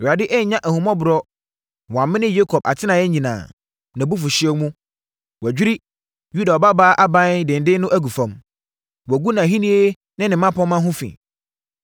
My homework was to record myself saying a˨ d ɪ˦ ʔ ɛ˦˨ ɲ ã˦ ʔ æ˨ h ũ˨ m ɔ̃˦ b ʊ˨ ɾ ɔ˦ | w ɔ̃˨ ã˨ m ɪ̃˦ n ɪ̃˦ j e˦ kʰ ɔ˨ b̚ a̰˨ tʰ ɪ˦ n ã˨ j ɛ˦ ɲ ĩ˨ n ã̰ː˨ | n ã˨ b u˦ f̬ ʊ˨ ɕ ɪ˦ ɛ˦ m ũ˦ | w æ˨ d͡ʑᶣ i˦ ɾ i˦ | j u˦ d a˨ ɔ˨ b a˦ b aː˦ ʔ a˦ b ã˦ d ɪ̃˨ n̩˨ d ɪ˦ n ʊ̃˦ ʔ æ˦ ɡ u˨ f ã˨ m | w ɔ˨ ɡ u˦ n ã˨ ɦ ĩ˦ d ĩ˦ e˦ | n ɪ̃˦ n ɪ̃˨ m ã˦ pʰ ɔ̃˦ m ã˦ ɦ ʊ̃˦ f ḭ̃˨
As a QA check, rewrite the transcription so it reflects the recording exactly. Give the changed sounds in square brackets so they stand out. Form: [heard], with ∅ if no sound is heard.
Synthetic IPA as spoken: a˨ d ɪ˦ ʔ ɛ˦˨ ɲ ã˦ ʔ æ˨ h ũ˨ m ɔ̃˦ b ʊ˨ ɾ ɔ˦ | w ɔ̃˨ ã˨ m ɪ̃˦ n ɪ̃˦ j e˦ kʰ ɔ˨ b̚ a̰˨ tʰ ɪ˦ n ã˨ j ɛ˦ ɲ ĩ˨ n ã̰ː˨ | n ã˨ b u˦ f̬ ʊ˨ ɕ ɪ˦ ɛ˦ m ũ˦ | w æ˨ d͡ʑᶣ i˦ ɾ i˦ | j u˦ d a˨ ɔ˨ b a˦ b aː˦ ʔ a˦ b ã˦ d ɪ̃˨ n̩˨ d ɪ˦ n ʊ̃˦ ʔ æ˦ ɡ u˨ f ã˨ m | w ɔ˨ ɡ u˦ n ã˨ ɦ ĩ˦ [n] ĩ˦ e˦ | n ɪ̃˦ n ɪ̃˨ m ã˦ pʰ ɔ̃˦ m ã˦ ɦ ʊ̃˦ f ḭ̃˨